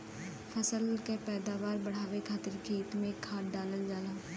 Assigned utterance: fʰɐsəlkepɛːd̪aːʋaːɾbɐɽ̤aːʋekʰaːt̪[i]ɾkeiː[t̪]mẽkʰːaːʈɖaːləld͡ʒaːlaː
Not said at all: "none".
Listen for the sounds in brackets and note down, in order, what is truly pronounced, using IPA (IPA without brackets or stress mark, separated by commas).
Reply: ɪ, t̪